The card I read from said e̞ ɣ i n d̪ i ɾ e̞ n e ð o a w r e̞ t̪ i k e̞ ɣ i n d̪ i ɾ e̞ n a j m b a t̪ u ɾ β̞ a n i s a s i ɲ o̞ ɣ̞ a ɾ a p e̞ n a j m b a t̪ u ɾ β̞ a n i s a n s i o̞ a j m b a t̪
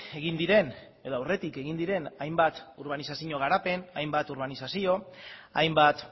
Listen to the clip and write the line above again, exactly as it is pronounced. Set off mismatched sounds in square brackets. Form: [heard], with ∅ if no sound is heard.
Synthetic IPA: e̞ ɣ i n d̪ i ɾ e̞ n e ð o a w r e̞ t̪ i k e̞ ɣ i n d̪ i ɾ e̞ n a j m b a t̪ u ɾ β̞ a n i s a s i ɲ o̞ ɣ̞ a ɾ a p e̞ n a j m b a t̪ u ɾ β̞ a n i s a [∅] s i o̞ a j m b a t̪